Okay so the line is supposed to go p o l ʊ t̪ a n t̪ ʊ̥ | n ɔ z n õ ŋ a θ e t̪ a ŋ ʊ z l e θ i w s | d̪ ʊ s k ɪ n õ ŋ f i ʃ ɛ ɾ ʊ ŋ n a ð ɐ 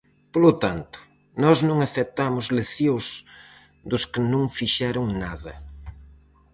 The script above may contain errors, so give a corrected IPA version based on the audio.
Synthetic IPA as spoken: p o l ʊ t̪ a n t̪ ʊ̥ | n ɔ z n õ ŋ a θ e t̪ a m ʊ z l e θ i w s | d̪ ʊ s k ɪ n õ ŋ f i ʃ ɛ ɾ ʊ ŋ n a ð ɐ